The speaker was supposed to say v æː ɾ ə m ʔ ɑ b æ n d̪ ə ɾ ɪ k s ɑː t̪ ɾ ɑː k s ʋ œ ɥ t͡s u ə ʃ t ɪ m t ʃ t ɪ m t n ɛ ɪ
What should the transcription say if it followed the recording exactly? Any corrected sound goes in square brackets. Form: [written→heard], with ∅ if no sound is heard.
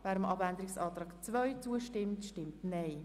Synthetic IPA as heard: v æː ɾ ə m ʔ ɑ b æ n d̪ ə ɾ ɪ k s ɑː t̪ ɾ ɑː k [s→t͡s] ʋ œ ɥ t͡s u ə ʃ t ɪ m t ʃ t ɪ m t n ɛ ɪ